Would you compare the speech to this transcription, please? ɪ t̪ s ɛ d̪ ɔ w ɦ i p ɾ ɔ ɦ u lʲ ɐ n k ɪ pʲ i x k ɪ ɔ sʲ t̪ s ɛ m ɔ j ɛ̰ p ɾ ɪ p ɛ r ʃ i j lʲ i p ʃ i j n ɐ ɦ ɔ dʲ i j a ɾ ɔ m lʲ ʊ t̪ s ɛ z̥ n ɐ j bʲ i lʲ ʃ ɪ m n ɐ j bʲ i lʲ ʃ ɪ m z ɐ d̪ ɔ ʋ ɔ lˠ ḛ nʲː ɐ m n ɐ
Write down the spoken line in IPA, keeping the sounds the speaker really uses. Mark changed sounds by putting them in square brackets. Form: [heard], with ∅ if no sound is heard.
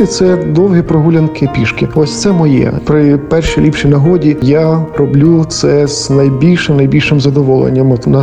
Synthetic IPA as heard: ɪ t̪ s ɛ d̪ ɔ w ɦ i p ɾ ɔ ɦ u lʲ ɐ n k ɪ pʲ i [ʃ] k ɪ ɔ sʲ t̪ s ɛ m ɔ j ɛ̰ p ɾ ɪ p ɛ r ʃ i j lʲ i p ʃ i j n ɐ ɦ ɔ dʲ i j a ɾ ɔ [b] lʲ [u] t̪ s ɛ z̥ n ɐ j bʲ i lʲ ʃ ɪ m n ɐ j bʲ i lʲ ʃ ɪ m z ɐ d̪ ɔ ʋ ɔ lˠ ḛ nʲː ɐ m n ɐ